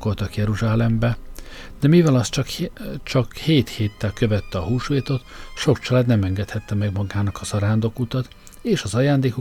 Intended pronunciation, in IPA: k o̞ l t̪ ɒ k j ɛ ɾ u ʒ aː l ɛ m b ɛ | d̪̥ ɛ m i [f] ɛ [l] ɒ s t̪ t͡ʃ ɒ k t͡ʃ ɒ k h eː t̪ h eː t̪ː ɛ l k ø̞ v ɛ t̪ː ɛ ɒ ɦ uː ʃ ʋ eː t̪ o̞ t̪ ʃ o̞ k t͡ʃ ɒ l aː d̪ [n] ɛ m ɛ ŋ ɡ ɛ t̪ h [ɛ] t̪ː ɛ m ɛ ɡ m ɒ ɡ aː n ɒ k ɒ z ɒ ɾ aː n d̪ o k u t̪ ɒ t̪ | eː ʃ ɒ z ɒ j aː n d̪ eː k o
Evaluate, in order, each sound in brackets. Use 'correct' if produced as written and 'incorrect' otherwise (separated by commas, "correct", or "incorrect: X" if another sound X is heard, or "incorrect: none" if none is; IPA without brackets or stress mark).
incorrect: v, correct, correct, correct